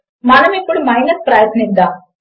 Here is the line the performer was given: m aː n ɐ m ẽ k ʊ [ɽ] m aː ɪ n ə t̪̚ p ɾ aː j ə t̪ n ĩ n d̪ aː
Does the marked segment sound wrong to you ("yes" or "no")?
no